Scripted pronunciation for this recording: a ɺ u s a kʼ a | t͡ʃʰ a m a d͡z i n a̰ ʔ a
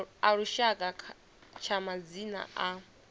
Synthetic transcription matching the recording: a ɺ u ʃ a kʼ a | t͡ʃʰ a m a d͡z i n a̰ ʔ a